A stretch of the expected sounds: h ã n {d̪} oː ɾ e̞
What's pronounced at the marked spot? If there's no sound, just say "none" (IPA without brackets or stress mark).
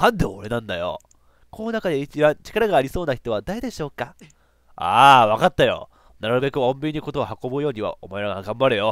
d̪